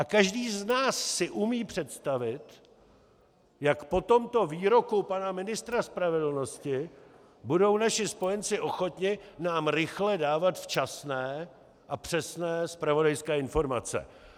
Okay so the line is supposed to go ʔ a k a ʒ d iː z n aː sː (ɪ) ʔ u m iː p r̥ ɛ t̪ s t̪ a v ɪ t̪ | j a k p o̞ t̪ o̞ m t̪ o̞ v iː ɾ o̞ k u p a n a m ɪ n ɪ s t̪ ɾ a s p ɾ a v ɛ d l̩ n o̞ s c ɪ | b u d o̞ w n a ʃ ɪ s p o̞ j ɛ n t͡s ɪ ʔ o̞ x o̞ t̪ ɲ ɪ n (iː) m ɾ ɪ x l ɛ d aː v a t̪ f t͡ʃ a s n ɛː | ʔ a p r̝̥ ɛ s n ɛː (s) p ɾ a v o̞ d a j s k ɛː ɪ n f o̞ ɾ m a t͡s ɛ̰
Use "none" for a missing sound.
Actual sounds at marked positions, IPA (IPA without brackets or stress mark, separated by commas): ɪ, aː, s